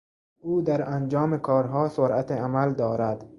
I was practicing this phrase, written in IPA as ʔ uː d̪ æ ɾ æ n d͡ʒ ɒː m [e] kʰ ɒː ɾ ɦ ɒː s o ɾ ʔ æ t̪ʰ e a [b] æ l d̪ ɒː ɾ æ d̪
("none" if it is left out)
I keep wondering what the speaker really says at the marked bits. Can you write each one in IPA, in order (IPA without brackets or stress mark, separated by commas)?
e, m